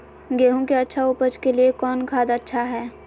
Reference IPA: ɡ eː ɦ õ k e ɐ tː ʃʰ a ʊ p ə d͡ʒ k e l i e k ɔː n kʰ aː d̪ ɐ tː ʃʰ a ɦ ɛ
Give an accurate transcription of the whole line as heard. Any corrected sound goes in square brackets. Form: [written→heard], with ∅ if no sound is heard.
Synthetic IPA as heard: ɡ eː ɦ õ k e ɐ tː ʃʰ a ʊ p ə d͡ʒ k e l i e k ɔː n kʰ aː d̪ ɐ tː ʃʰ a ɦ [ɛ→ɛː]